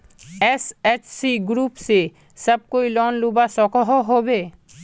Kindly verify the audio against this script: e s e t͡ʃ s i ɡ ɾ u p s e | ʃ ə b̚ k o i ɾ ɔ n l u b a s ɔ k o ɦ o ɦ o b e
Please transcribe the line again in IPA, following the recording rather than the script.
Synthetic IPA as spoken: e s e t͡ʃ s i ɡ ɾ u p s e | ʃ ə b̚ k o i l ɔ n l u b a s ɔ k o ɦ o ɦ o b e